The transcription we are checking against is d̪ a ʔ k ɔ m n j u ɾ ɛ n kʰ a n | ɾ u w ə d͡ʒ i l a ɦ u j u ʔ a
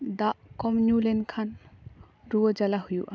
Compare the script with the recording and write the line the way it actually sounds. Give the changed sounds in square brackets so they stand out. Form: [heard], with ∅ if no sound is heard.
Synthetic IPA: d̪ a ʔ k ɔ m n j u [l] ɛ n kʰ a n | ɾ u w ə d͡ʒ [a] l a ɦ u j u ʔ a